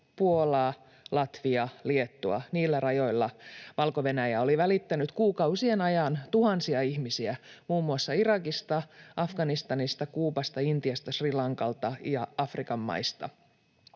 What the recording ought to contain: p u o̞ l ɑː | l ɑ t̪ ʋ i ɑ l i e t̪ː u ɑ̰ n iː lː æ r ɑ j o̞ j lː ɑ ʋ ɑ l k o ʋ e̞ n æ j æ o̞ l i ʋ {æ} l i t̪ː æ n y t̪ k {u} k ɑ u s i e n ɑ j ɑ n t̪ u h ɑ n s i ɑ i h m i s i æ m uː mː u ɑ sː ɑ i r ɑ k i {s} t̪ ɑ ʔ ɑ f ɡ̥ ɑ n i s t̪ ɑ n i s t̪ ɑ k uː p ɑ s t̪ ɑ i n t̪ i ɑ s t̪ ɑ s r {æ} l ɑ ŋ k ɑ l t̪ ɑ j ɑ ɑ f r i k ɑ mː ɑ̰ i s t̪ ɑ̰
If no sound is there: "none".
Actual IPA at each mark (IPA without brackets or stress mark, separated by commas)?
æ, uː, s, i